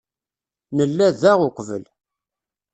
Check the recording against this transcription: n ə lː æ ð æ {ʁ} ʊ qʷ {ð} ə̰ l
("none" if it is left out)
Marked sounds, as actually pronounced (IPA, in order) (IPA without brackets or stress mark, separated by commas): ʁ, v